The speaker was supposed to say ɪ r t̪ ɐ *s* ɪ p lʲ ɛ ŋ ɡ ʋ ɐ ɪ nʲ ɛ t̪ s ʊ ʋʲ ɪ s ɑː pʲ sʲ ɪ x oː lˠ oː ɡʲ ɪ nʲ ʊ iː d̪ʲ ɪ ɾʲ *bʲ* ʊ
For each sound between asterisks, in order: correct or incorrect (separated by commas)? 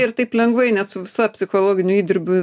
incorrect, correct